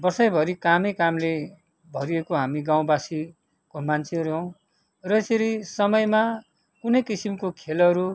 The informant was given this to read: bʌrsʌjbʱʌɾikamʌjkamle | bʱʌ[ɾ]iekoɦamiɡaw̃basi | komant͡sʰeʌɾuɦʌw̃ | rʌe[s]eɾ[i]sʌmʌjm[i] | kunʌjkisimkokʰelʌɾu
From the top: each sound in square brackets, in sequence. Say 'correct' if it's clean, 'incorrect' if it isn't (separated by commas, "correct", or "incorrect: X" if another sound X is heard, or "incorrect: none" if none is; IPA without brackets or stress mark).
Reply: correct, correct, correct, incorrect: a